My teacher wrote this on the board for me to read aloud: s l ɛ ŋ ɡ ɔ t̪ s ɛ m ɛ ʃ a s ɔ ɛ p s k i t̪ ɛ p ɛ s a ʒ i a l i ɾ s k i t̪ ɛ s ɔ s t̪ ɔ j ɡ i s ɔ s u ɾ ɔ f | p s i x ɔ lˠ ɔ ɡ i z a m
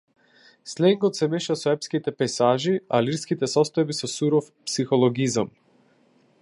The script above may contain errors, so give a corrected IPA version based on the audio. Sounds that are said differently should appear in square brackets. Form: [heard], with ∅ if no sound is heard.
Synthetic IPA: s l ɛ ŋ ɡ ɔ t̪ s ɛ m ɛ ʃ a s ɔ ɛ p s k i t̪ ɛ p ɛ s a ʒ i a l i ɾ s k i t̪ ɛ s ɔ s t̪ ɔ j [b] i s ɔ s u ɾ ɔ f | p s i x ɔ lˠ ɔ ɡ i z a m